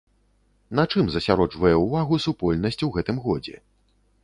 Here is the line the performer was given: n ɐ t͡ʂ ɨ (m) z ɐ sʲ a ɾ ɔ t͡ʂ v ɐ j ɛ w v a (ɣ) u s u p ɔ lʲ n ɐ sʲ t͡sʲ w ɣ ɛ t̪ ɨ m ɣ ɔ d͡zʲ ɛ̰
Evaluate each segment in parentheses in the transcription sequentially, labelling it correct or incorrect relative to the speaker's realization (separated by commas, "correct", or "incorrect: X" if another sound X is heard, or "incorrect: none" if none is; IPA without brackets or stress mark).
correct, correct